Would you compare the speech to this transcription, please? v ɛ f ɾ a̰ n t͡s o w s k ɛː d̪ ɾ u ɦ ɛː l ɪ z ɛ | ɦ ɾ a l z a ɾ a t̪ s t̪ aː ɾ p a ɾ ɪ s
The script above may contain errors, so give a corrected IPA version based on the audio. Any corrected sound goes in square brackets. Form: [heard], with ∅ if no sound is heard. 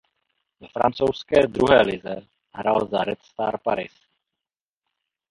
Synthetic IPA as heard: v ɛ f ɾ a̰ n t͡s o w s k ɛː d̪ ɾ u ɦ ɛː l ɪ z ɛ | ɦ ɾ a l z a ɾ [ɛ] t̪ s t̪ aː ɾ p a ɾ ɪ s